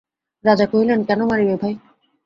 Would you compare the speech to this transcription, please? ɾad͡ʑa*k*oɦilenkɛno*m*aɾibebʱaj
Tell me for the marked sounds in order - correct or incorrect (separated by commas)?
correct, correct